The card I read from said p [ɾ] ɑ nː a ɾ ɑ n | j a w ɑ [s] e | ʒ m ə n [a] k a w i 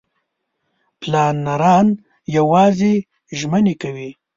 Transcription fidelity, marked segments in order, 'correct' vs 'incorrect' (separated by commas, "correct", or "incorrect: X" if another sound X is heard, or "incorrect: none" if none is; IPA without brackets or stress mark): incorrect: l, incorrect: z, incorrect: e